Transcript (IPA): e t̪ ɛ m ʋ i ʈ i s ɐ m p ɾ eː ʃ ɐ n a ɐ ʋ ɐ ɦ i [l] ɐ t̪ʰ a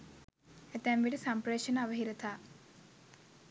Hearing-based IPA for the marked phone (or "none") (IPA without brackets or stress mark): ɾ